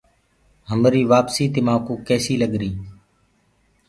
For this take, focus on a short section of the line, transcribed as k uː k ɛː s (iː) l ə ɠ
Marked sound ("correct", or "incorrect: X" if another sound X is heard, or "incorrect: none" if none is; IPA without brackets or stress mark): correct